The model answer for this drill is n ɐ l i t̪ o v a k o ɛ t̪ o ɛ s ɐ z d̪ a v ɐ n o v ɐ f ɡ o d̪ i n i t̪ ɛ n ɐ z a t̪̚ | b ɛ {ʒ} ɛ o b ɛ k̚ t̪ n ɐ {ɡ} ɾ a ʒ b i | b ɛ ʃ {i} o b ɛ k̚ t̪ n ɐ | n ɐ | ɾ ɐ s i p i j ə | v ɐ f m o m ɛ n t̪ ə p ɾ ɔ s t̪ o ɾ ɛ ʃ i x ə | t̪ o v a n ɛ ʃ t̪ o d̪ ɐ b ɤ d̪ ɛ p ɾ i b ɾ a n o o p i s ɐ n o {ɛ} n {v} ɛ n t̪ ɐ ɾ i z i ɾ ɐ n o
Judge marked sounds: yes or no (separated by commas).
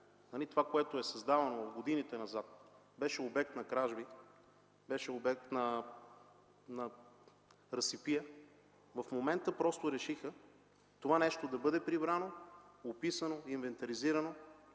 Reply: no, no, no, no, yes